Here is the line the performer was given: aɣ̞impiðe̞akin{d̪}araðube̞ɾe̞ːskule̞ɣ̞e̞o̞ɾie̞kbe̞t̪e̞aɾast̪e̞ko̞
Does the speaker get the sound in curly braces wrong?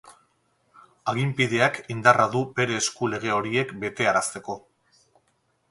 no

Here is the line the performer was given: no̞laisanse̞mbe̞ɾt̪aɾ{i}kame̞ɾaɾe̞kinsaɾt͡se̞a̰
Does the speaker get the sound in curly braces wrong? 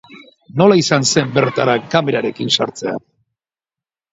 yes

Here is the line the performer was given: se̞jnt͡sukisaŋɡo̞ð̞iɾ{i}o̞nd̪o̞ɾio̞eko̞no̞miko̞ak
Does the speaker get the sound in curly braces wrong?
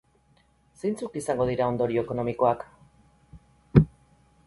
yes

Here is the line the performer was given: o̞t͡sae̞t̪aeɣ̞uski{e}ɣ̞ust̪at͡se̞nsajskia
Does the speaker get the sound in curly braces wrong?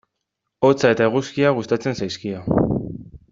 yes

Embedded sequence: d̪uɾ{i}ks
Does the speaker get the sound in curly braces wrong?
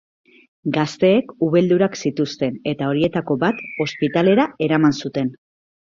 yes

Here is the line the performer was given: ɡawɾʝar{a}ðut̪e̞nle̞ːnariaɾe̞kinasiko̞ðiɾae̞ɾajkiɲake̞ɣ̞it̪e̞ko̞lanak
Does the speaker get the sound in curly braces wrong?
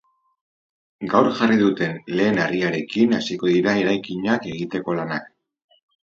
yes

